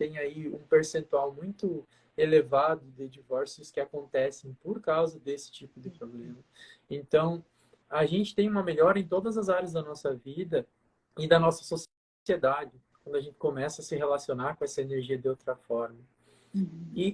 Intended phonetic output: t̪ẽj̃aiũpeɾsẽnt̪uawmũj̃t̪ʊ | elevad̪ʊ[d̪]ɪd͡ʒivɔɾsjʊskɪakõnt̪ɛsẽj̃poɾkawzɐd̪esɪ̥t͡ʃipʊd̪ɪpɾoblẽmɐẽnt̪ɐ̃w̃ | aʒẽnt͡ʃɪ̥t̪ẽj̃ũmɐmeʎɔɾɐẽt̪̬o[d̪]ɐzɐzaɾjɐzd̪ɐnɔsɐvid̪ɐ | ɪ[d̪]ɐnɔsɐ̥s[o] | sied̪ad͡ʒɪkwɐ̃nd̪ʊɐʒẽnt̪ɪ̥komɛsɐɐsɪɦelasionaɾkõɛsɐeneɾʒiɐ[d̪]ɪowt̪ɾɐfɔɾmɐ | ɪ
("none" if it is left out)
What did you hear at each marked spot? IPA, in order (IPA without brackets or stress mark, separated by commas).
d̪, d̪, d̪, o, d̪